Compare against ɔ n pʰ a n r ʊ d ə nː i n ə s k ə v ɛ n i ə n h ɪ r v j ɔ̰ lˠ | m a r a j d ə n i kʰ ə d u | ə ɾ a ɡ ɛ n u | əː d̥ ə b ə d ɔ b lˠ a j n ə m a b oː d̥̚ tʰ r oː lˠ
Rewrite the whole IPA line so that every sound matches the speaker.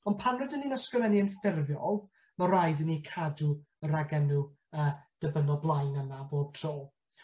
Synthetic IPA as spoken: ɔ n pʰ a n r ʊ d ə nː i n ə s k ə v ɛ n i ə n f ɪ r v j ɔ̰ lˠ | m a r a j d ə n i kʰ a d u | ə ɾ a ɡ ɛ n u | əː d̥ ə b ə n ɔ b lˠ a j n ə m a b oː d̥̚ tʰ r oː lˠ